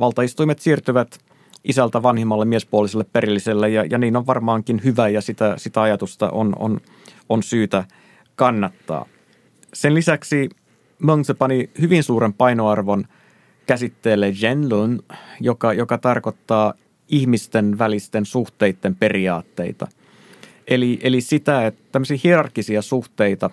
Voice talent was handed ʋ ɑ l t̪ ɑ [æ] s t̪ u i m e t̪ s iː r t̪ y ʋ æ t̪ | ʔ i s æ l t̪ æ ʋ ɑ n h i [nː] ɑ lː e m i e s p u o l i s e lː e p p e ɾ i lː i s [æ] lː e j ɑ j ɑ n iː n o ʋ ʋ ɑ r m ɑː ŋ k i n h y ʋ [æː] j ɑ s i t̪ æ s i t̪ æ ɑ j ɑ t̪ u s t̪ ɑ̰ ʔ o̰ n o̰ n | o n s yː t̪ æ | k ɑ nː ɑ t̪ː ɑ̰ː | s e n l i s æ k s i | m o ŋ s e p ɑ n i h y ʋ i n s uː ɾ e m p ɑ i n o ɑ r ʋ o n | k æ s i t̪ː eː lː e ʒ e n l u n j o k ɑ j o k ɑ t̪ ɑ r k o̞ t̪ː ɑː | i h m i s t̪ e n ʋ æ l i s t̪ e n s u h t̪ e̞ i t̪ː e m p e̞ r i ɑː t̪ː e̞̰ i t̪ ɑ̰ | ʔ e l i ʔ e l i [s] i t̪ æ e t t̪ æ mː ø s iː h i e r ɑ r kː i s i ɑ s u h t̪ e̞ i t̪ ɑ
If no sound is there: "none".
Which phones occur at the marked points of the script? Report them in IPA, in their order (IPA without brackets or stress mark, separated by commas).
i, mː, e, æ, s